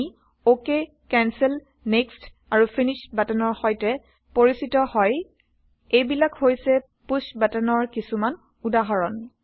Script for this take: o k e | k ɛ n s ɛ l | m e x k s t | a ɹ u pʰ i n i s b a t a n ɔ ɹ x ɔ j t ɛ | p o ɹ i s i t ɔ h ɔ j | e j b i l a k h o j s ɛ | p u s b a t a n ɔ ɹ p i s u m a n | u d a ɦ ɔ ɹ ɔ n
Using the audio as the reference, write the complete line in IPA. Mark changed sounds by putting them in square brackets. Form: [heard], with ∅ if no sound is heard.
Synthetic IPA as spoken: o k e | k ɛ n s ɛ l | [n] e [∅] k s t | a ɹ u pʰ i n i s b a t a n ɔ ɹ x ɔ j t ɛ | p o ɹ i s i t ɔ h ɔ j | e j b i l a k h o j s ɛ | p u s b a t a n ɔ ɹ [k] i s u m a n | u d a ɦ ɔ ɹ ɔ n